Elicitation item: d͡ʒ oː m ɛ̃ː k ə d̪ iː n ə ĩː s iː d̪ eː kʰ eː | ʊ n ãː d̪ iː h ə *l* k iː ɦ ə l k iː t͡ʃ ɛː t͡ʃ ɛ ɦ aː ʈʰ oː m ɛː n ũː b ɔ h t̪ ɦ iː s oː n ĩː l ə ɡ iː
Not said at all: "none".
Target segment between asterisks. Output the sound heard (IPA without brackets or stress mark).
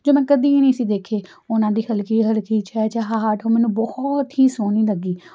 l